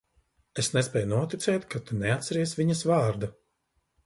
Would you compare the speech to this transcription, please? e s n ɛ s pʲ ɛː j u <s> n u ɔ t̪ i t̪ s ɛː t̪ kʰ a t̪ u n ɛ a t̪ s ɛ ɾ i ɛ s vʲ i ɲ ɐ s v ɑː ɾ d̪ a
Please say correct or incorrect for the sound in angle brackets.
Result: incorrect